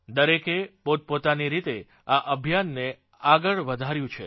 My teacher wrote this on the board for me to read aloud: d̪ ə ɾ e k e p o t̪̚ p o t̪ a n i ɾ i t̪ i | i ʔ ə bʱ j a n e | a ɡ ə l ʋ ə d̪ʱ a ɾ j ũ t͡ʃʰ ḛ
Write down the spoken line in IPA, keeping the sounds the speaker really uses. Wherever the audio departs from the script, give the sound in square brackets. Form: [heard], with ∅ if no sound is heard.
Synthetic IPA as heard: d̪ ə ɾ e k e p o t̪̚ p o t̪ a n i ɾ i t̪ [e] | [a] ʔ ə bʱ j a [nː] e | a ɡ ə [ɭ] ʋ ə d̪ʱ a ɾ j ũ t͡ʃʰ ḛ